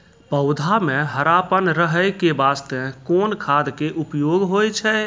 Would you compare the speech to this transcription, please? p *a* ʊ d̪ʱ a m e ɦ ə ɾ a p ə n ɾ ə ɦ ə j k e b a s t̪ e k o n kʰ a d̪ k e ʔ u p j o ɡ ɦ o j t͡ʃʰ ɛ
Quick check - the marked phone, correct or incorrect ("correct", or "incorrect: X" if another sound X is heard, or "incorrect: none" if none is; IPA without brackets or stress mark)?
incorrect: ə